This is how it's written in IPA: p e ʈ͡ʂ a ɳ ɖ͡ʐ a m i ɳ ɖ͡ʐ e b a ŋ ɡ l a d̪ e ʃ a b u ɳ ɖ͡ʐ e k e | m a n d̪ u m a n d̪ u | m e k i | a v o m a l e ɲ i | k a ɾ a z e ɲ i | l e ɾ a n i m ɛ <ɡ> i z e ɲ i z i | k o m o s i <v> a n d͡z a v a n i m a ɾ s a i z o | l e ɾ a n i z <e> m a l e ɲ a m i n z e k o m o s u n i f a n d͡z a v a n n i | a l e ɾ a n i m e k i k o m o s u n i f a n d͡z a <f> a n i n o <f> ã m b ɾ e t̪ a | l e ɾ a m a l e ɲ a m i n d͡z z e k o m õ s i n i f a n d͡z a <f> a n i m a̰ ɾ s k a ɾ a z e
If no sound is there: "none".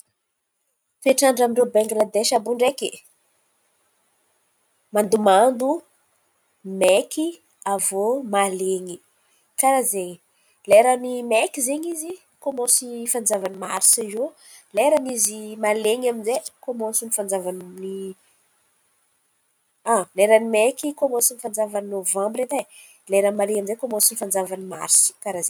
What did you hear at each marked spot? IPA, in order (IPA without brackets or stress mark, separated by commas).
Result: k, f, i, v, v, v